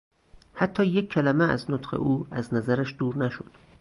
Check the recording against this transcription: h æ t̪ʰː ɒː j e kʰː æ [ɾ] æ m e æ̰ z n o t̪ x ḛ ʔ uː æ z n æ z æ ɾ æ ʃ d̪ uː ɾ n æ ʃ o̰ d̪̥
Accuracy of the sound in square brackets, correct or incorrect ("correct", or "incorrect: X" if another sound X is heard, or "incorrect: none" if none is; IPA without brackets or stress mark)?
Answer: incorrect: l